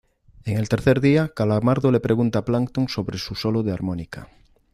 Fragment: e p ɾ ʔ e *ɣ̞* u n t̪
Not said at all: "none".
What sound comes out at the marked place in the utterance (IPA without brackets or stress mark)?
ɣ̞